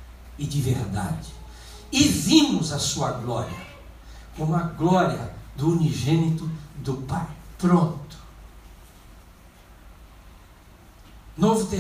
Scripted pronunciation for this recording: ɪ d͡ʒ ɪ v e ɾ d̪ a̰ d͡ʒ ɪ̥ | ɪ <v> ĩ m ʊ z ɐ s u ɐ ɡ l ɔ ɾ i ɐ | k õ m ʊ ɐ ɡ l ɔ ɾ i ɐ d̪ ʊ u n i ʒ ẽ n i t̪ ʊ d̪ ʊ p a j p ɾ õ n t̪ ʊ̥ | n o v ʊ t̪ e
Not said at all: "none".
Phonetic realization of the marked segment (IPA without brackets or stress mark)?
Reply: v